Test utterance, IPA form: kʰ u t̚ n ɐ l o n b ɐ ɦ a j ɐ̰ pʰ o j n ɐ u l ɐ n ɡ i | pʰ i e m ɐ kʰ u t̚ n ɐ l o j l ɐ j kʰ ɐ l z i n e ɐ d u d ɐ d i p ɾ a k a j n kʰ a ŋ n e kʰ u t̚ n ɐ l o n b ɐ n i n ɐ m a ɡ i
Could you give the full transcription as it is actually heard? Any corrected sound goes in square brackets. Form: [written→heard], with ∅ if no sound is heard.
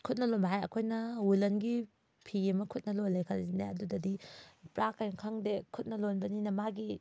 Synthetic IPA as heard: kʰ u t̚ n ɐ l o n b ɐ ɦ a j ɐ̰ [pʰ→kʰ] o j n ɐ u l ɐ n ɡ i | pʰ i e m ɐ kʰ u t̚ n ɐ l o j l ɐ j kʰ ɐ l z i n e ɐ d u d ɐ d i p ɾ a k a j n kʰ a ŋ [n→d] e kʰ u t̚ n ɐ l o n b ɐ n i n ɐ m a ɡ i

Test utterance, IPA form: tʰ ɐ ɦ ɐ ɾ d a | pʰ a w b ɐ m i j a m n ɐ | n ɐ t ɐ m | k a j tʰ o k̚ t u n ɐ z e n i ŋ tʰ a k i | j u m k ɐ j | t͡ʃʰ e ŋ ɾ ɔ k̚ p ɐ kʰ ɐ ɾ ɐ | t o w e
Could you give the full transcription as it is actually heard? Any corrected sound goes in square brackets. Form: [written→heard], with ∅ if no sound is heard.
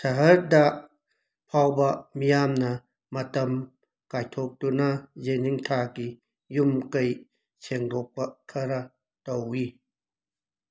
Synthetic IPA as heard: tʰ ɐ ɦ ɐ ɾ d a | pʰ a w b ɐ m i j a m n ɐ | [n→m] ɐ t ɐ m | k a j tʰ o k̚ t u n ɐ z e n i ŋ tʰ a k i | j u m k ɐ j | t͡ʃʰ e ŋ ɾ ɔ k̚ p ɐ kʰ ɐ ɾ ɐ | t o w [e→i]

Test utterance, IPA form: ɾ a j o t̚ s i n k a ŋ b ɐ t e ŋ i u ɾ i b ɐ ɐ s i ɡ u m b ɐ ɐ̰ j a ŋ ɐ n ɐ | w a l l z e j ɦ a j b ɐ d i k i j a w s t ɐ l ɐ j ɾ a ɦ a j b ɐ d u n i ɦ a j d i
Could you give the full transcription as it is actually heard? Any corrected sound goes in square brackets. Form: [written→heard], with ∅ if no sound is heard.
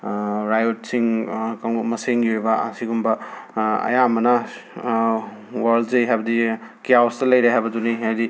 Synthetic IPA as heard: ɾ a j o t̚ s i [n→ŋ] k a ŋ [b→m] ɐ [t→s] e ŋ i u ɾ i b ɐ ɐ s i ɡ u m b ɐ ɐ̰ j a [ŋ→m] ɐ n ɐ | w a [l→ɾ] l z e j ɦ a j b ɐ d i k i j a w s t ɐ l ɐ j ɾ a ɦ a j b ɐ d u n i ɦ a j d i

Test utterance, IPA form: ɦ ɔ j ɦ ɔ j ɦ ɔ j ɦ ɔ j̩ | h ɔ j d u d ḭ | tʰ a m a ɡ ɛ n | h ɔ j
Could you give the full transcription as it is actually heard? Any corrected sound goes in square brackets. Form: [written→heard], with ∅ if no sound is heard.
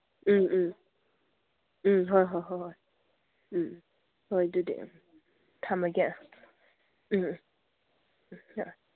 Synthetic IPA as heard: ɦ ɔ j ɦ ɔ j ɦ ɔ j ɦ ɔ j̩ | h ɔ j d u d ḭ | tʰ a m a ɡ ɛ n | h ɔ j

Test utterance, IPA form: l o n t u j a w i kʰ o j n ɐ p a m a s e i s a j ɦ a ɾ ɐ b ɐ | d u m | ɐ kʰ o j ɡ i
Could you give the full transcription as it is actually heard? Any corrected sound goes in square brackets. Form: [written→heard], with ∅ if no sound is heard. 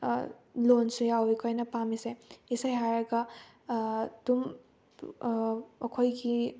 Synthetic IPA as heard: l o n [t→s] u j a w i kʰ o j n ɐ p a m [a→i] s e i s a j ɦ a ɾ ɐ [b→ɡ] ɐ | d u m | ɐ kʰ o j ɡ i

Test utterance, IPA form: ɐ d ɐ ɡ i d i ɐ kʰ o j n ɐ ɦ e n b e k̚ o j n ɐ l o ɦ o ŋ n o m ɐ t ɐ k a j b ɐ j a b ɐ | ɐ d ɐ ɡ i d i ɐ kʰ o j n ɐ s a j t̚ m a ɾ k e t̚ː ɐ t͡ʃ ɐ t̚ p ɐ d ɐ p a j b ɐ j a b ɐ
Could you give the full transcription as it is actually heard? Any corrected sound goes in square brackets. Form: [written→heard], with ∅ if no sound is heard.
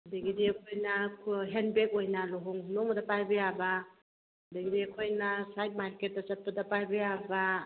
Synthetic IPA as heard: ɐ d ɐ ɡ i d i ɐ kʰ o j n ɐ ɦ e n b e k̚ o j n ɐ l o ɦ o ŋ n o m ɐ [t→d] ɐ [k→p] a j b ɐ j a b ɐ | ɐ d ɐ ɡ i d i ɐ kʰ o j n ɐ s a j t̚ m a ɾ k e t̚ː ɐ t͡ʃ ɐ t̚ p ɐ d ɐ p a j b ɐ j a b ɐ

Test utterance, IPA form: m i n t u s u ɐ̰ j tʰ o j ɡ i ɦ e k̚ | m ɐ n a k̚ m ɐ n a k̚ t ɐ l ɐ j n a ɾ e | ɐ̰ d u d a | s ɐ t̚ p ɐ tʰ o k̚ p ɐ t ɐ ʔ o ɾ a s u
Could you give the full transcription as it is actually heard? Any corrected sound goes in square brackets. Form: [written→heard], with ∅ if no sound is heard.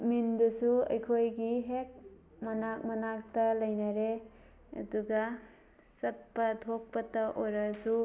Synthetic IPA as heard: m i n [t→d] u s u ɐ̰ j [tʰ→kʰ] o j ɡ i ɦ e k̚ | m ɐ n a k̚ m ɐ n a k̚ t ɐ l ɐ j n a ɾ e | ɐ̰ d u [d→ɡ] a | s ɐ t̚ p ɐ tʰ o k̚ p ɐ t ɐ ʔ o ɾ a s u

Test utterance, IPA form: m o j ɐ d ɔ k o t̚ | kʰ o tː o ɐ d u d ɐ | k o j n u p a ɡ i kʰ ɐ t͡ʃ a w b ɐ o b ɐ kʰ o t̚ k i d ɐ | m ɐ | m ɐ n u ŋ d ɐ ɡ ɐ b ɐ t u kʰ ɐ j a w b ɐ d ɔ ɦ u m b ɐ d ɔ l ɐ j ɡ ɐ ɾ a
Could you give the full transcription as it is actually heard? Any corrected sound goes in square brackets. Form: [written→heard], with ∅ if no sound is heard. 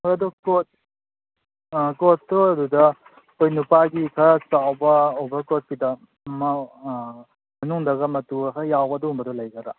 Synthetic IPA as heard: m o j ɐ d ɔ k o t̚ | [kʰ→k] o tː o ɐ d u d ɐ | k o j n u p a ɡ i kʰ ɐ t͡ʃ a w b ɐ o b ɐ [kʰ→k] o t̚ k i d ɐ | m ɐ | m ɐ n u ŋ d ɐ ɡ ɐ [b→m] ɐ t u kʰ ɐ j a w b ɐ d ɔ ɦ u m b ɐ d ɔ l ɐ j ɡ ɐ ɾ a

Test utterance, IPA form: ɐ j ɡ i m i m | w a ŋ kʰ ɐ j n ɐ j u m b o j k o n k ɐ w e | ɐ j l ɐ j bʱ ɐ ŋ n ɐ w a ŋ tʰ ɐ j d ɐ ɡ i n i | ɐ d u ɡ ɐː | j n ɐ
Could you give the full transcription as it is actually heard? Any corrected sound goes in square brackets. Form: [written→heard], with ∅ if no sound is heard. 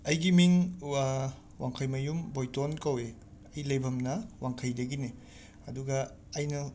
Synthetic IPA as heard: ɐ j ɡ i m i [m→ŋ] | w a ŋ kʰ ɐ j [n→m] ɐ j u m b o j [k→t] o n k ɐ w e | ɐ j l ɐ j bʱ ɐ [ŋ→m] n ɐ w a ŋ [tʰ→kʰ] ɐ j d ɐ ɡ i n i | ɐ d u ɡ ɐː | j n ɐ

